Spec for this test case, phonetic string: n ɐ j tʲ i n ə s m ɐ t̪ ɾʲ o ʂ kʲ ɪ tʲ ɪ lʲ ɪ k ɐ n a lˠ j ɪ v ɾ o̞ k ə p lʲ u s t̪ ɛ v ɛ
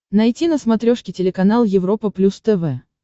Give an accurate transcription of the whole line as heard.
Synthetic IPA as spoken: n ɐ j tʲ i n ə s m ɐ t̪ ɾʲ o ʂ kʲ ɪ tʲ ɪ lʲ ɪ k ɐ n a lˠ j ɪ v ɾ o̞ p ə p lʲ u s t̪ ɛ v ɛ